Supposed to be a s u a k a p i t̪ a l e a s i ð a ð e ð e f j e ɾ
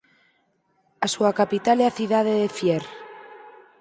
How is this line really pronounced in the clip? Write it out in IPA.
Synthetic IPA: a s u a k a p i t̪ a l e a θ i ð a ð e ð e f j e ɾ

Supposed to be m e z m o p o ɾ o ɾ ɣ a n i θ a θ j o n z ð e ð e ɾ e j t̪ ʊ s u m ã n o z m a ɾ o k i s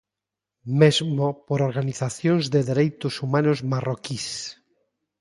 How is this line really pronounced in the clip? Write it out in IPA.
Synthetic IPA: m e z m o p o ɾ o ɾ ɣ a n i θ a θ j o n z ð e ð e ɾ e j t̪ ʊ s u m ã n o z m a r o k i s

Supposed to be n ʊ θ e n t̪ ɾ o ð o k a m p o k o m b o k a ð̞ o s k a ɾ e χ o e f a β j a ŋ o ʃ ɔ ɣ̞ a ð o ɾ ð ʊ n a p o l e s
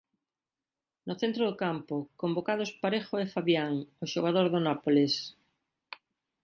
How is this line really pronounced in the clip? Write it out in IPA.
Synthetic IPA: n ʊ θ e n t̪ ɾ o ð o k a m p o k o m b o k a ð̞ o s p a ɾ e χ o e f a β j a ŋ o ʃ o ɣ̞ a ð o ɾ ð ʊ n a p o l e s

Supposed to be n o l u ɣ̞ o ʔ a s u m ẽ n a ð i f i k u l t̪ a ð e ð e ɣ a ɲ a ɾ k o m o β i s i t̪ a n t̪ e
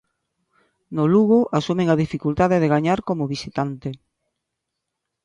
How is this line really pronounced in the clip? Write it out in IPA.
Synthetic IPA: n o l u ɣ̞ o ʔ a s u m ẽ ŋ a ð i f i k u l t̪ a ð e ð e ɣ a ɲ a ɾ k o m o β i s i t̪ a n t̪ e

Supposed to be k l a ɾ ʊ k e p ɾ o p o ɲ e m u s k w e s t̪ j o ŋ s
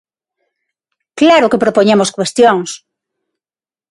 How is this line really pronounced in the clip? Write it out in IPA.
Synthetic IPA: k l a ɾ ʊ k e p ɾ o p o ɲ e m o s k w e s t̪ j o ŋ s

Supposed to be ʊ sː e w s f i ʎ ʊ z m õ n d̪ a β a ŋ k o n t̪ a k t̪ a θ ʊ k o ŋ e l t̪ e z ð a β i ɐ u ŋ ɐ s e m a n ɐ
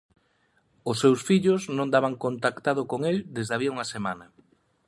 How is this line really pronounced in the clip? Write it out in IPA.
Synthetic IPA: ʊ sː e w s f i ʎ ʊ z n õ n d̪ a β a ŋ k o n t̪ a k t̪ a ð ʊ k o ŋ e l d̪ e z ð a β i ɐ u ŋ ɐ s e m a n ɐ

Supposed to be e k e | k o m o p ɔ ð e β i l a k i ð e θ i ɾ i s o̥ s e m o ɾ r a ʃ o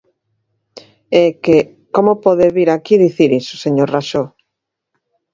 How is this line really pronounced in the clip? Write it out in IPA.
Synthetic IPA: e k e | k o m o p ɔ ð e β i ɾ a k i ð i θ i ɾ i s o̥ s e ɲ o ɾ r a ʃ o

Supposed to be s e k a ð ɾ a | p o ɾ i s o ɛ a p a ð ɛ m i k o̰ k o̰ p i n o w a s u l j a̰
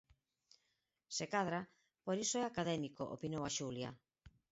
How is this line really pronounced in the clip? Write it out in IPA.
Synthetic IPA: s e k a ð ɾ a | p o ɾ i s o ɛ a k a ð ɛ m i k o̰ ʔ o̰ p i n o w a ʃ u l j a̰

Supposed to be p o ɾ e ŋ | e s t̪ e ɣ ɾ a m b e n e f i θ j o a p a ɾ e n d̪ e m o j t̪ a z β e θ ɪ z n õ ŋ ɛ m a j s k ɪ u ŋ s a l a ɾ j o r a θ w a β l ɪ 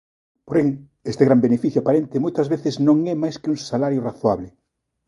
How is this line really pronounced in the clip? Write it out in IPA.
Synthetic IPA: p o ɾ e ŋ | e s t̪ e ɣ ɾ a m b e n e f i θ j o a p a ɾ e n t̪ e m o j t̪ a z β e θ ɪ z n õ ŋ ɛ m a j s k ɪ u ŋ s a l a ɾ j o r a θ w a β l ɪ

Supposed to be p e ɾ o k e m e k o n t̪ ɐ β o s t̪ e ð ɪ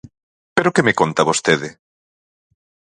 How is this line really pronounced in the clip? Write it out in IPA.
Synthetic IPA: p e ɾ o k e m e k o n t̪ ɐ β o s t̪ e ð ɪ

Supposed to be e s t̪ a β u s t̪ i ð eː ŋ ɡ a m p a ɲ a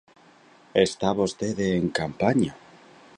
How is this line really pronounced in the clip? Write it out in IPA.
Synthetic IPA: e s t̪ a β o s t̪ e ð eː ŋ k a m p a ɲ a

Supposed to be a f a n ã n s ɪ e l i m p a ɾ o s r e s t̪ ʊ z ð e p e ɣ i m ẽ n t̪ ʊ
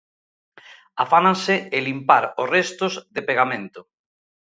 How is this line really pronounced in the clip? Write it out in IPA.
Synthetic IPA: a f a n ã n s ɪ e l i m p a ɾ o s r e s t̪ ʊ z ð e p e ɣ a m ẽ n t̪ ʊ

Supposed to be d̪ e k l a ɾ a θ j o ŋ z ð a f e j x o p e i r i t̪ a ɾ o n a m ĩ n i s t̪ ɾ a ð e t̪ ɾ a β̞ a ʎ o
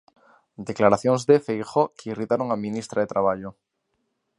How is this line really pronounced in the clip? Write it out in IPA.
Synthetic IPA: d̪ e k l a ɾ a θ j o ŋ z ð e f e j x o k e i r i t̪ a ɾ o ŋ a m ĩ n i s t̪ ɾ a ð e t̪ ɾ a β̞ a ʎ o

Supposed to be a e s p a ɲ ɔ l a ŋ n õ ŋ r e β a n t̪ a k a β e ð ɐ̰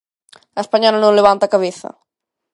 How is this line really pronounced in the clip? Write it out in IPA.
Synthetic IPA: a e s p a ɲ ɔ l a n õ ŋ l e β a n t̪ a k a β e θ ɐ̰

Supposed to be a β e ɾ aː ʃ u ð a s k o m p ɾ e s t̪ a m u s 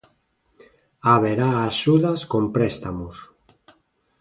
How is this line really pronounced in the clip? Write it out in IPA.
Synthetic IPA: a β e ɾ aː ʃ u ð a s k o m p ɾ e s t̪ a m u s

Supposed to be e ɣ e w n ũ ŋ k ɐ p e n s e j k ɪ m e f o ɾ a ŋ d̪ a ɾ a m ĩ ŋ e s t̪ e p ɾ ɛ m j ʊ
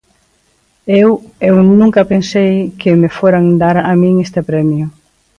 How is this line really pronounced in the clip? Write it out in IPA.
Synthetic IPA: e w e w n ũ ŋ k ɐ p e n s e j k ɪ m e f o ɾ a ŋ d̪ a ɾ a m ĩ ŋ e s t̪ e p ɾ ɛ m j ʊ

